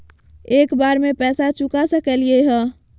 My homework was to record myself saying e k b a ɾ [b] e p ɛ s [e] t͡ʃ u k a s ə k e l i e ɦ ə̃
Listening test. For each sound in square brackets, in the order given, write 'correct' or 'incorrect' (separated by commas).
incorrect, incorrect